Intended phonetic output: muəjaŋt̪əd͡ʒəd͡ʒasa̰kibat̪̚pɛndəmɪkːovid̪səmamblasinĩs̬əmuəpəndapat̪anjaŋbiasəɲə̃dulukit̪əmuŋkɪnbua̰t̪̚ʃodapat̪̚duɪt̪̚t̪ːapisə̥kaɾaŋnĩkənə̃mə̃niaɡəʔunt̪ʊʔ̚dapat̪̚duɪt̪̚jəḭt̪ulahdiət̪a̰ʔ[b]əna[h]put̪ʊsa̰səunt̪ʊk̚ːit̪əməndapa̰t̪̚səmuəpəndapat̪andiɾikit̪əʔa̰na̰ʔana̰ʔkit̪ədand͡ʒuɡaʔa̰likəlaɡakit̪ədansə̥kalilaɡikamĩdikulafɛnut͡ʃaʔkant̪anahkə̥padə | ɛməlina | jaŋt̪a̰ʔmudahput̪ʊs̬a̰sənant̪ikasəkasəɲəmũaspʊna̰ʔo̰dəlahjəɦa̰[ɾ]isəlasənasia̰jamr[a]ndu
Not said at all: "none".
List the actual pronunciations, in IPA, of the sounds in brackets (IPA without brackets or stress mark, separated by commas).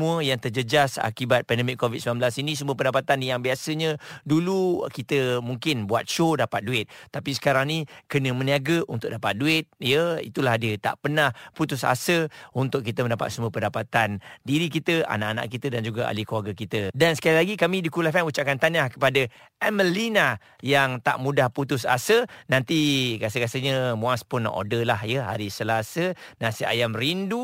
p, h, ɾ, i